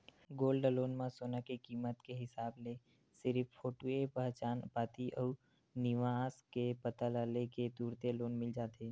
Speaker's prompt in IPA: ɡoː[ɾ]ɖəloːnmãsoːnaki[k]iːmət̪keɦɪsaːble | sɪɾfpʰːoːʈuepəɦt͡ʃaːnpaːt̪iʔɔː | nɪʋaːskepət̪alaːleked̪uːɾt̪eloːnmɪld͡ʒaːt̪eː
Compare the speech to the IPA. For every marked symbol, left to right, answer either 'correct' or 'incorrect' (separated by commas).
incorrect, correct